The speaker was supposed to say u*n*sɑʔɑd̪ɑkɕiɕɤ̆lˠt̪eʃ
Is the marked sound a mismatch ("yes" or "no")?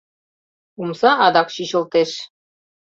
yes